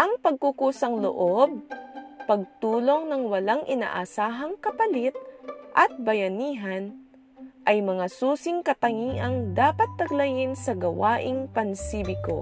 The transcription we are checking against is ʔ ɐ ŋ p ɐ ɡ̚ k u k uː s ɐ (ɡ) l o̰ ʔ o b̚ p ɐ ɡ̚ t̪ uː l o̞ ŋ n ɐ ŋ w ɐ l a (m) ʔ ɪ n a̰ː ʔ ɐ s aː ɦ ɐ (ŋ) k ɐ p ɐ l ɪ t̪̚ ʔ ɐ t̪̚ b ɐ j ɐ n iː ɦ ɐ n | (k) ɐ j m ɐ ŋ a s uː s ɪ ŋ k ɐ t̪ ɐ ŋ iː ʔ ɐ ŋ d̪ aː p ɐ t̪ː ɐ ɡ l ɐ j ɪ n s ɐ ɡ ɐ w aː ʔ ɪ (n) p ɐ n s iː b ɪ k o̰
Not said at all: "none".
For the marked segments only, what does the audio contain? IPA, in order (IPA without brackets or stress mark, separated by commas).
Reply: ŋ, ŋ, ŋ, ʔ, ŋ